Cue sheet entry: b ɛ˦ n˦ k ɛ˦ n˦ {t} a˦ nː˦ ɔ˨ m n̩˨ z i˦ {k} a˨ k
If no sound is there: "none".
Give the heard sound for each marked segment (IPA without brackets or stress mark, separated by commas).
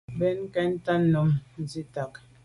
t, t